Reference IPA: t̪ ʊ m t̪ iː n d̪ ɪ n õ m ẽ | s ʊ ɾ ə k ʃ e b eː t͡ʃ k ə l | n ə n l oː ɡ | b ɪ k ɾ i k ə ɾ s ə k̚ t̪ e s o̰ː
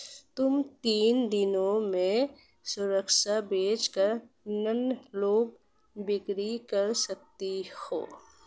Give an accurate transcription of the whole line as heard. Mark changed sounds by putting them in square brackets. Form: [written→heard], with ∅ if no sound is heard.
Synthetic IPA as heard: t̪ ʊ m t̪ iː n d̪ ɪ n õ m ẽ | s ʊ ɾ ə k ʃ [e→a] b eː t͡ʃ k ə [l→ɾ] | n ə n l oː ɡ | b ɪ k ɾ i k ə ɾ s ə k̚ t̪ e [s→h] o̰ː